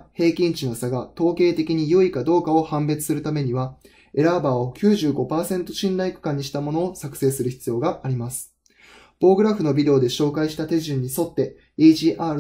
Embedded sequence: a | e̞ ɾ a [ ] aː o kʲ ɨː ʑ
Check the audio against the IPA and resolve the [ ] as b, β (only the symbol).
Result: b